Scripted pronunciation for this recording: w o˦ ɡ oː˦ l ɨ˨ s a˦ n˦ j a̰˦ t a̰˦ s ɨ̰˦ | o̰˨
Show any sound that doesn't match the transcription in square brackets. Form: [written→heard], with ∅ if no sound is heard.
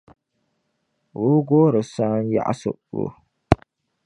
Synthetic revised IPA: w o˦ ɡ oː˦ [l→ɾ] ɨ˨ s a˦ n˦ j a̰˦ [t→ʔ] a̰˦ s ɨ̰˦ | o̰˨